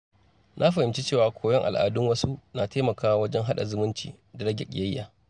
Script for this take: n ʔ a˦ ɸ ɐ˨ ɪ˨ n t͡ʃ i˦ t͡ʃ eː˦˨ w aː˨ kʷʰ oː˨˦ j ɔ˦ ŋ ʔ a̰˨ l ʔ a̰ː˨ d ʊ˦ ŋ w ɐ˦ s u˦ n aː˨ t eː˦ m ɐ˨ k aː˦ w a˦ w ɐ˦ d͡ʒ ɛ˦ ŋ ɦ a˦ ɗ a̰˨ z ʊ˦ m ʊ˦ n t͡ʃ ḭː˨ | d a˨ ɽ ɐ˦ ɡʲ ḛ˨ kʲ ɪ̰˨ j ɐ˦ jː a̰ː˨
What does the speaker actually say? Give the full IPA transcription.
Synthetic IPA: n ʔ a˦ ɸ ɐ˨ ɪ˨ m t͡ʃ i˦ t͡ʃ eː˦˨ w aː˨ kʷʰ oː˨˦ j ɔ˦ ŋ ʔ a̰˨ l ʔ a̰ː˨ d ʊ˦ ŋ w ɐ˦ s u˦ n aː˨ t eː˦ m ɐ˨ k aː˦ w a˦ w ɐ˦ d͡ʒ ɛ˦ ŋ ɦ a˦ ɗ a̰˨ z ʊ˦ m ʊ˦ n t͡ʃ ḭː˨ | d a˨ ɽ ɐ˦ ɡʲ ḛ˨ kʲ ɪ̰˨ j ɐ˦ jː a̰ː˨